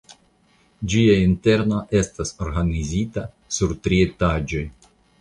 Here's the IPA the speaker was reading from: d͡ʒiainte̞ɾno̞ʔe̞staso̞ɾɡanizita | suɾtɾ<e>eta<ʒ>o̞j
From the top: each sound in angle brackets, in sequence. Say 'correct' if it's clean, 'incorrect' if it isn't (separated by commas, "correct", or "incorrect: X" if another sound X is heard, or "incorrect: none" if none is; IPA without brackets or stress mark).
incorrect: i, incorrect: d͡ʒ